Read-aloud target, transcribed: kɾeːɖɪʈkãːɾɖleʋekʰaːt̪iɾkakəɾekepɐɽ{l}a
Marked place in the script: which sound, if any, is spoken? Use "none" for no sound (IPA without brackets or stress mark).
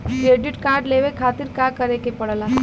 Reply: l